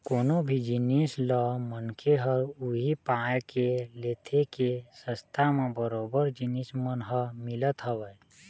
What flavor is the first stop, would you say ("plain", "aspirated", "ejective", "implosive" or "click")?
plain